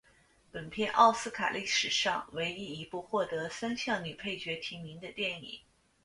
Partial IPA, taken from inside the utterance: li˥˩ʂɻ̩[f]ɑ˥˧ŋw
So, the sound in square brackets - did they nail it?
no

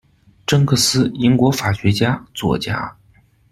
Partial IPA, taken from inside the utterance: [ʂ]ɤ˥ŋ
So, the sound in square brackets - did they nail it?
no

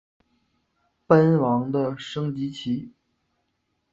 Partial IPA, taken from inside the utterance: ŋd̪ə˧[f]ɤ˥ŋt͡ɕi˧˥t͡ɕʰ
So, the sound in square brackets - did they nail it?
no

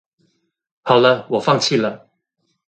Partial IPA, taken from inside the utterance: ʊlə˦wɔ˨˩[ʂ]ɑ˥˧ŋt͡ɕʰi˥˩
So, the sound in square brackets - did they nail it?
no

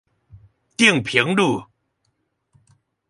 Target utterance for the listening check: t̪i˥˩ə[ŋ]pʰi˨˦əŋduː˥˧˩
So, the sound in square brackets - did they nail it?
yes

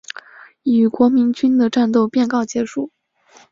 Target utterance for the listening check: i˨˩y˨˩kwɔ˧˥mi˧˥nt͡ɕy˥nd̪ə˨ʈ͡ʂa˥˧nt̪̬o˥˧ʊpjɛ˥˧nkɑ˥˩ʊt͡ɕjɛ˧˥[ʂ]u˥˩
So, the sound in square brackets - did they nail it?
yes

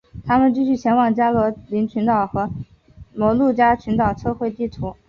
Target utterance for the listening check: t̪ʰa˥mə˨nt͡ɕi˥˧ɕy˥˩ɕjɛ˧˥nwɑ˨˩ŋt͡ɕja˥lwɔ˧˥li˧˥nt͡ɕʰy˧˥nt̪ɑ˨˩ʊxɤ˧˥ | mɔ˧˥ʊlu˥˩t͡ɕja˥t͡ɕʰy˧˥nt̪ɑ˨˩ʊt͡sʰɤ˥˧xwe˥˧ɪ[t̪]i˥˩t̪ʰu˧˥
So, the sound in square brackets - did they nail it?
yes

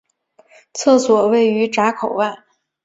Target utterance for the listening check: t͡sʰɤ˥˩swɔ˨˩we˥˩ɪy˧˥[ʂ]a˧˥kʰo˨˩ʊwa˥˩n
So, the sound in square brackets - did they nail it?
no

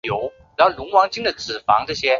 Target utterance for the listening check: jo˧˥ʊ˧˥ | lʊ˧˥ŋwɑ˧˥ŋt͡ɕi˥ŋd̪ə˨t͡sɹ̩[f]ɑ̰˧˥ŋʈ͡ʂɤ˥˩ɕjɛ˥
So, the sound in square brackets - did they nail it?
yes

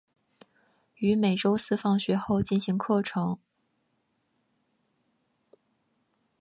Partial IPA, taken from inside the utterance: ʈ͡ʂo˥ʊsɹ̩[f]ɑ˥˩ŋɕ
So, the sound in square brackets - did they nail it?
yes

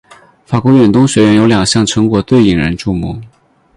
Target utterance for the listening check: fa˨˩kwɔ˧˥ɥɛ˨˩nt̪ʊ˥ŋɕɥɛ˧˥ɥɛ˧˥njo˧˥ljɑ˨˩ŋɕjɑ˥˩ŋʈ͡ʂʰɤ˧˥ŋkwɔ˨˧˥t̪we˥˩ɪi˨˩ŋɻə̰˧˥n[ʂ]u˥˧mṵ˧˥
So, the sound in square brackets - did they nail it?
no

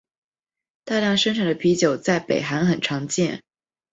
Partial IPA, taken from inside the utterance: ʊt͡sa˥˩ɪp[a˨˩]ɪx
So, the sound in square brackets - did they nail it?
no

